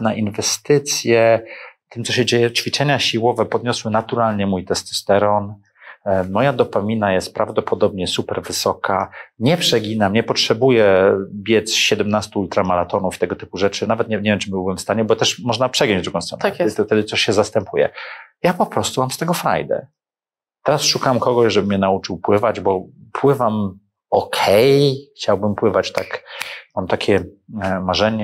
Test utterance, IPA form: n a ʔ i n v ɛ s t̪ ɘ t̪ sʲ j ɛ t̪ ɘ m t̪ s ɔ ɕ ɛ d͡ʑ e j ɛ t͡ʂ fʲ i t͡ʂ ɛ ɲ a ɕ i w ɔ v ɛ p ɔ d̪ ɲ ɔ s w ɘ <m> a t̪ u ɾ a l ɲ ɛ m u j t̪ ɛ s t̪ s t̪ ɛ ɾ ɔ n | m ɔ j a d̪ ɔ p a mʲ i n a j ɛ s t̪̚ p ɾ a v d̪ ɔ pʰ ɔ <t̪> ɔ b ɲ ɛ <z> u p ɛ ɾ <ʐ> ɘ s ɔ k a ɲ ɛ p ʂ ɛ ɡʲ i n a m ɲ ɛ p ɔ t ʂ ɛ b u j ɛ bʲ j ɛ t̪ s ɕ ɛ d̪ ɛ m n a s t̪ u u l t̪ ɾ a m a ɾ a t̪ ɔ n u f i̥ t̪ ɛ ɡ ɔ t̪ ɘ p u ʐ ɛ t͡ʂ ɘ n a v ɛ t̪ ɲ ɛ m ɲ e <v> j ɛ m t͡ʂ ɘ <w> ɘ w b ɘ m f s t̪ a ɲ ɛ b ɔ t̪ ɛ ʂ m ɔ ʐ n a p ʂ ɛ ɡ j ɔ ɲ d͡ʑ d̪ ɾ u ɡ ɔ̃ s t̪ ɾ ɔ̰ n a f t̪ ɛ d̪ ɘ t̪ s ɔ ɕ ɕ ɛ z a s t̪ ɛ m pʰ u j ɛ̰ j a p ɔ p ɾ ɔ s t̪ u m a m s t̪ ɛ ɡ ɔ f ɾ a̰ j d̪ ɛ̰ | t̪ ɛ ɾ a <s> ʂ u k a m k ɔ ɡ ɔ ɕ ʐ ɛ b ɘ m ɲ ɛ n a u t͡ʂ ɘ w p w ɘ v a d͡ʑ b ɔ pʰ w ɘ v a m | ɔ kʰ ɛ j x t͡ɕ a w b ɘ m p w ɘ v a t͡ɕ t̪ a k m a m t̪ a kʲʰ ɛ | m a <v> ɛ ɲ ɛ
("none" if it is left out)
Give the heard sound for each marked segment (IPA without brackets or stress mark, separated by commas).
n, d̪, s, v, v, b, s, ʐ